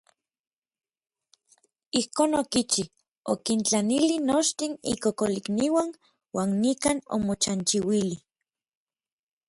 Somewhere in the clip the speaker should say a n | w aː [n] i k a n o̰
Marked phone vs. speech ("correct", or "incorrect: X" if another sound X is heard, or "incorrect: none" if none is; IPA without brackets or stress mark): incorrect: nː